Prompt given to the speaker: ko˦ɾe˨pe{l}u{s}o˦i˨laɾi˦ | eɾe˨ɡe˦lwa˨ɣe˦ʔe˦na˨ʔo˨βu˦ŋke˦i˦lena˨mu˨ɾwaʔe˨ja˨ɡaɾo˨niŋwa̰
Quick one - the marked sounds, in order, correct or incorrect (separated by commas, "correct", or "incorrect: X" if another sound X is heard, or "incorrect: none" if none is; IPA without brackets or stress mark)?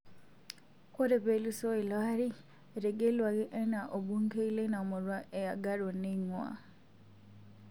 correct, correct